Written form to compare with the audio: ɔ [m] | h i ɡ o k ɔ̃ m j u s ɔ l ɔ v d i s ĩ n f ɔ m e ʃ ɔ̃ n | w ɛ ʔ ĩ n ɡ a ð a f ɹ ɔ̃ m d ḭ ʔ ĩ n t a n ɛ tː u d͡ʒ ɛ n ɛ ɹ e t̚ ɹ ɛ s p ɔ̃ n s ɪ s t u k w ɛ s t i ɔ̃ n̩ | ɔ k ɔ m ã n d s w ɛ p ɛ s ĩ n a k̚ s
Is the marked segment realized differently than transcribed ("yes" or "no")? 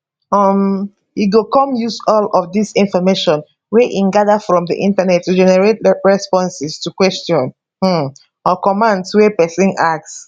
no